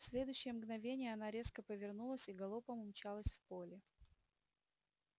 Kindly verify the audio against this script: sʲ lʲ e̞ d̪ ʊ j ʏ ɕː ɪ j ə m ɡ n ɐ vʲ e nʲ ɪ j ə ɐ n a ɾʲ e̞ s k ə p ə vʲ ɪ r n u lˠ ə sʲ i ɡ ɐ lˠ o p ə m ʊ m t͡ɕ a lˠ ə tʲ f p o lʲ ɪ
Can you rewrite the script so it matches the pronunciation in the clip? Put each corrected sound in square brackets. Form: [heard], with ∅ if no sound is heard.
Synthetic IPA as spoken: sʲ lʲ e̞ d̪ ʊ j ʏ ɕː ɪ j ə m ɡ n ɐ vʲ e nʲ ɪ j ə ɐ n a ɾʲ e̞ s k ə p ə vʲ ɪ r n u lˠ ə sʲ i ɡ ɐ lˠ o p ə m ʊ m t͡ɕ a lˠ ə [sʲ] f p o lʲ ɪ